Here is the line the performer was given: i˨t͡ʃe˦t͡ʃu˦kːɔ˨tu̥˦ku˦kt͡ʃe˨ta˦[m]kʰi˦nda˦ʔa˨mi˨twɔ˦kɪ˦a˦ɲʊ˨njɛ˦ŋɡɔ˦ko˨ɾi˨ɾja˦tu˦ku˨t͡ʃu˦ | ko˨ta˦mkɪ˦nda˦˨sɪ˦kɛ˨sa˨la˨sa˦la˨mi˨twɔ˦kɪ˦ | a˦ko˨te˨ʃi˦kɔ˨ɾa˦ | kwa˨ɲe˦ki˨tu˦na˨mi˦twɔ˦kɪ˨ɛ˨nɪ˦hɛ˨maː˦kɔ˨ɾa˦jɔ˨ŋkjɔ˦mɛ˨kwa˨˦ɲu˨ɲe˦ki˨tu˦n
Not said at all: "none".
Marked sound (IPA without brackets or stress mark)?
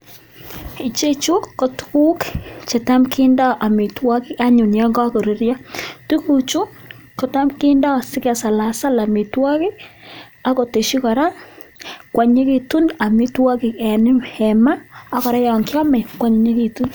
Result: m